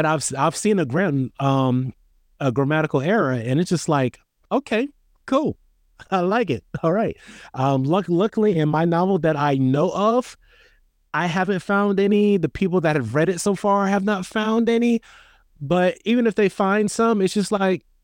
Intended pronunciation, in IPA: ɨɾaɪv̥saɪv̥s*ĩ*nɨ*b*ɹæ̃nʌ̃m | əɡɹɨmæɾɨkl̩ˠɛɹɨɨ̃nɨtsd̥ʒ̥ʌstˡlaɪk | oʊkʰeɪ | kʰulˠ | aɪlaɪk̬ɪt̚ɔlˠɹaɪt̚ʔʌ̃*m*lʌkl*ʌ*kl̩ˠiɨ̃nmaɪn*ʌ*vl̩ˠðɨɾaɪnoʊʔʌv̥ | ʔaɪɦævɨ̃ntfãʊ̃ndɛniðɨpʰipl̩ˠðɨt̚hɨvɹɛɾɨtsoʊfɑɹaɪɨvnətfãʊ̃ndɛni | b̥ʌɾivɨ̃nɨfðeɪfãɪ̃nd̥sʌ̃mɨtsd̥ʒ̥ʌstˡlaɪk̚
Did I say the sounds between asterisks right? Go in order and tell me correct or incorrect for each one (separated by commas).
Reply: correct, incorrect, correct, correct, incorrect